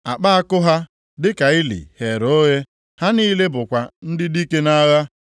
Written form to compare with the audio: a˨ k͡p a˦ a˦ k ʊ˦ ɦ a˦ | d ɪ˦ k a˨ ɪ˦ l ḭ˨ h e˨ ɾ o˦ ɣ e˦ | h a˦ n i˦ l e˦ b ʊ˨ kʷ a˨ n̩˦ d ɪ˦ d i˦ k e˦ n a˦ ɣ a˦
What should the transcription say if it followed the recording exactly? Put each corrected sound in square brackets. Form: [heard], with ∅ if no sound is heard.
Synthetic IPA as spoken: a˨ k͡p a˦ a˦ k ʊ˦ ɦ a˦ | d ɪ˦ k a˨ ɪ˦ l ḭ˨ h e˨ ɾ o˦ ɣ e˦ | h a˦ n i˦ l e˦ b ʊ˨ kʷ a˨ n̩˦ d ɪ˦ d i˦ k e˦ n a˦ ɣ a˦